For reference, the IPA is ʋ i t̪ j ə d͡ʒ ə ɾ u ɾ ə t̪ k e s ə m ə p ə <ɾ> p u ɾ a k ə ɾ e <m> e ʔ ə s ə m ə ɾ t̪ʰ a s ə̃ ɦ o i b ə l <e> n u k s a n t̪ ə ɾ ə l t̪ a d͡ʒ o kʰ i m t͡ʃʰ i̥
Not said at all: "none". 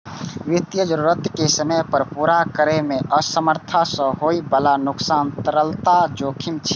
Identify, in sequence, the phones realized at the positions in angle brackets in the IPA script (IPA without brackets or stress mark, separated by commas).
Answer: ɾ, m, a